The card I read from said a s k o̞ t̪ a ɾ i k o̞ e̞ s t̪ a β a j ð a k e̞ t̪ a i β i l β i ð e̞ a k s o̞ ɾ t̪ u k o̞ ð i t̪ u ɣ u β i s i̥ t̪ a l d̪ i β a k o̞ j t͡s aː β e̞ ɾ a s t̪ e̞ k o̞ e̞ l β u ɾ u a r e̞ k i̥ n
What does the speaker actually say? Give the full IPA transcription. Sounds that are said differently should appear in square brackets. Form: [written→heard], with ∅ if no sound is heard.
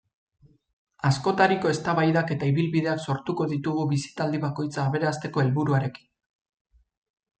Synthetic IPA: a s k o̞ t̪ a ɾ i k o̞ e̞ s t̪ a β a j ð a k e̞ t̪ a i β i l β i ð e̞ a k s o̞ ɾ t̪ u k o̞ ð i t̪ u ɣ u β i s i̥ t̪ a l d̪ i β a k o̞ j t͡s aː β e̞ ɾ a s t̪ e̞ k o̞ e̞ l β u ɾ u a [r→ɾ] e̞ k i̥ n

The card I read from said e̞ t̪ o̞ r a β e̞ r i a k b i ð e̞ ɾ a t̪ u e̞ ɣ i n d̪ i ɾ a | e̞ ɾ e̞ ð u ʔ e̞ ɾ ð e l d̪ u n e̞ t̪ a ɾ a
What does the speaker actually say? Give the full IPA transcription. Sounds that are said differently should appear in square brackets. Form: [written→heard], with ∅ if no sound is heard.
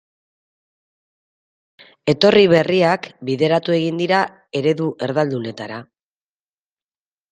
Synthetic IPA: e̞ t̪ o̞ r [a→i] β e̞ r i a k b i ð e̞ ɾ a t̪ u e̞ ɣ i n d̪ i ɾ a | e̞ ɾ e̞ ð u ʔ e̞ ɾ ð [e→a] l d̪ u n e̞ t̪ a ɾ a

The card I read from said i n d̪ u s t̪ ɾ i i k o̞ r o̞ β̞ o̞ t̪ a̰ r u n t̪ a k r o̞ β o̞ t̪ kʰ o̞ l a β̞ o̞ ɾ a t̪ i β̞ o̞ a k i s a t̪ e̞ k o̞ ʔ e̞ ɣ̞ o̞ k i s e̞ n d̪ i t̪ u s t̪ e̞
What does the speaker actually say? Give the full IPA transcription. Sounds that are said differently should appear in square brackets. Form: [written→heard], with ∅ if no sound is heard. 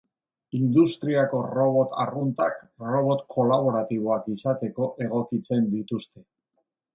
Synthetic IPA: i n d̪ u s t̪ ɾ i [i→a] k o̞ r o̞ β̞ o̞ t̪ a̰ r u n t̪ a k r o̞ β o̞ t̪ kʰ o̞ l a β̞ o̞ ɾ a t̪ i β̞ o̞ a k i s a t̪ e̞ k o̞ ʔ e̞ ɣ̞ o̞ k i [s→t͡s] e̞ n d̪ i t̪ u s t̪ e̞

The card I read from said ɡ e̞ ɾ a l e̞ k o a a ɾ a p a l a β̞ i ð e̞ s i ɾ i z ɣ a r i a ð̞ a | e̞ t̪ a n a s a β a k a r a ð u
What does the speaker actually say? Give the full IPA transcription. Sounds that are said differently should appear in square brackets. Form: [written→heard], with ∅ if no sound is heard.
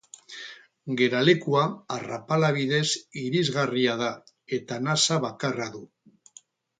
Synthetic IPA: ɡ e̞ ɾ a l e̞ k [o→u] a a [ɾ→r] a p a l a β̞ i ð e̞ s i ɾ i z ɣ a r i a ð̞ a | e̞ t̪ a n a s a β a k a r a ð u

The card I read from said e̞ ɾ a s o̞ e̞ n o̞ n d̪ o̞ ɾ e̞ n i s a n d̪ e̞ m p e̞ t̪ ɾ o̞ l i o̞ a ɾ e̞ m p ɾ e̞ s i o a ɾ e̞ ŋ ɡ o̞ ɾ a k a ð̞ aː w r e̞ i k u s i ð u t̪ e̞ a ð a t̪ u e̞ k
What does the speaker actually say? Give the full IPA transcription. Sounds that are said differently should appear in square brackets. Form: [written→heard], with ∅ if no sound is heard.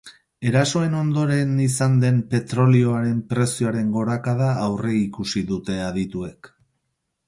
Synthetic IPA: e̞ ɾ a s o̞ e̞ n o̞ n d̪ o̞ ɾ e̞ n i s a n d̪ e̞ m p e̞ t̪ ɾ o̞ l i o̞ a ɾ e̞ m p ɾ e̞ s i o a ɾ e̞ ŋ ɡ o̞ ɾ a k a ð̞ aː w r e̞ i k u s i ð u t̪ e̞ a ð [a→i] t̪ u e̞ k

